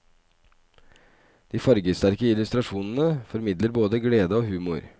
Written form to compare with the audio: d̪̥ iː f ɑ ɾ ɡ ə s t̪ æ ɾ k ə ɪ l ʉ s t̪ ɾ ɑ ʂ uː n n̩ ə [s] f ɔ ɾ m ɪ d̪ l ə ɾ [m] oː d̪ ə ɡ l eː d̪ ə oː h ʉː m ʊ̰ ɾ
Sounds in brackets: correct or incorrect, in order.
incorrect: none, incorrect: b

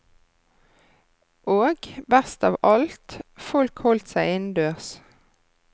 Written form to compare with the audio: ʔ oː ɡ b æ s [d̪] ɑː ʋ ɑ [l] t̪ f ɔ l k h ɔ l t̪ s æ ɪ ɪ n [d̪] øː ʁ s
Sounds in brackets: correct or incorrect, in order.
incorrect: t̪, correct, correct

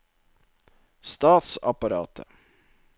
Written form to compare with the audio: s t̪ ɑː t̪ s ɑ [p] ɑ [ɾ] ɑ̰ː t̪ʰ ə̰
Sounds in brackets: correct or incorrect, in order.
correct, correct

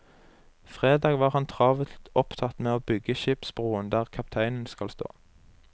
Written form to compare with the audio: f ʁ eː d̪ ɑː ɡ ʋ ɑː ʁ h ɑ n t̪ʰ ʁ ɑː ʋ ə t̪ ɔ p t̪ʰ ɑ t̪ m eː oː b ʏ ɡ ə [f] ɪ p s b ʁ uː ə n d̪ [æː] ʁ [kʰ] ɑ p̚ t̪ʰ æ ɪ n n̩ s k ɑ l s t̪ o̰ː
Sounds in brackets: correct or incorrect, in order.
incorrect: ʃ, correct, correct

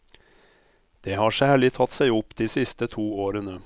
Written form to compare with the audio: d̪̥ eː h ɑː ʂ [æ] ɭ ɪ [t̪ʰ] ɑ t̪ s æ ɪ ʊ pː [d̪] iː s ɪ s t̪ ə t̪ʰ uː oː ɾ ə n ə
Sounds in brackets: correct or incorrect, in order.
incorrect: æː, correct, correct

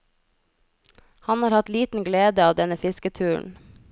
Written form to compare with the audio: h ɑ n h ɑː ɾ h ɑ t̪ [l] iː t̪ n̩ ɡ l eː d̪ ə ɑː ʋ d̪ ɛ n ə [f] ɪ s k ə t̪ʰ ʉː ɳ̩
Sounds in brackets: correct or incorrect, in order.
correct, correct

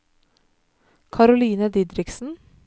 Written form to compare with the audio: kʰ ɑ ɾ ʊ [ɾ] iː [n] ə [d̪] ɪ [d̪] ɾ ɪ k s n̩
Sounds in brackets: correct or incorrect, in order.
incorrect: l, correct, correct, correct

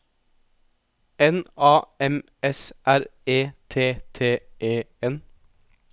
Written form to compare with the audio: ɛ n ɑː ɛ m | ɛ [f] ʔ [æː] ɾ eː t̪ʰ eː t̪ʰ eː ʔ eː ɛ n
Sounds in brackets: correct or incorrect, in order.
incorrect: s, incorrect: æ

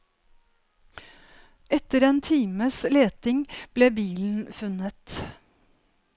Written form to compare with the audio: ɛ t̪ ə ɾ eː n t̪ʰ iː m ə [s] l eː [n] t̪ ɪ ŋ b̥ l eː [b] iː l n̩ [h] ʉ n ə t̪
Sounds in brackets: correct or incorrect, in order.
correct, incorrect: none, correct, incorrect: f

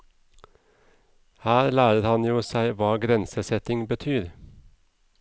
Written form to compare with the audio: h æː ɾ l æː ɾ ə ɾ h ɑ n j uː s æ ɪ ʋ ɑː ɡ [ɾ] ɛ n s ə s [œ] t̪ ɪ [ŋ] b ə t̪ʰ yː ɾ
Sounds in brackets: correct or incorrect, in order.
correct, incorrect: ɛ, correct

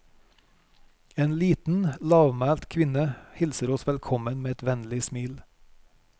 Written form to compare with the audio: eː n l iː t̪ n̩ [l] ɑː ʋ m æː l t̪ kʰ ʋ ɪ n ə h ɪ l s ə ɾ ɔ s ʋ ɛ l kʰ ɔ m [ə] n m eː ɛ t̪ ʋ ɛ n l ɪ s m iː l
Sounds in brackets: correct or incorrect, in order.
correct, correct

